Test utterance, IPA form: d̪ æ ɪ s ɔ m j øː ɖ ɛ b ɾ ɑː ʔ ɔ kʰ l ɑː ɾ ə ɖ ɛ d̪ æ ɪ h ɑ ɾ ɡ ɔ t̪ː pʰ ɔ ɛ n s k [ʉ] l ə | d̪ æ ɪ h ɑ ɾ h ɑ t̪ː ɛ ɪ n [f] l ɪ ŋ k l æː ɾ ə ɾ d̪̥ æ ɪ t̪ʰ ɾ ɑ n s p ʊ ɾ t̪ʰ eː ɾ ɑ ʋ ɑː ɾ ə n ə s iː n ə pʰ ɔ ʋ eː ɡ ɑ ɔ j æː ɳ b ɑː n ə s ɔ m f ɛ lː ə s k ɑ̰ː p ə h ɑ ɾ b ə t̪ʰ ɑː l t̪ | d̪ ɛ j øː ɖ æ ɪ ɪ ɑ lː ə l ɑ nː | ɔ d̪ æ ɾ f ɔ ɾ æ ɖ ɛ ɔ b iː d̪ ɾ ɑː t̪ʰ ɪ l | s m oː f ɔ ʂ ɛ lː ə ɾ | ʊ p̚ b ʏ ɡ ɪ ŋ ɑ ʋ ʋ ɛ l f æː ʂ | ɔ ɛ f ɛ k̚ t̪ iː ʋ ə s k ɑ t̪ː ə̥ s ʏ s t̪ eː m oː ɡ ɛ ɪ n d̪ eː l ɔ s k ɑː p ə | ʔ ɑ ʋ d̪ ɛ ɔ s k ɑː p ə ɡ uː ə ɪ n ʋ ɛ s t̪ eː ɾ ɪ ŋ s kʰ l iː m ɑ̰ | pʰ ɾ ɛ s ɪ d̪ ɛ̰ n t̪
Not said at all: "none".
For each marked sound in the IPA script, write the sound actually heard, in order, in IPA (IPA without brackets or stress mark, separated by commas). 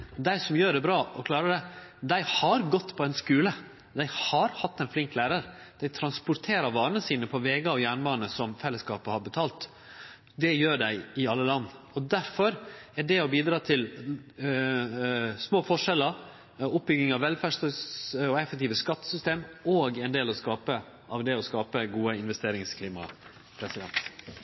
ʉː, f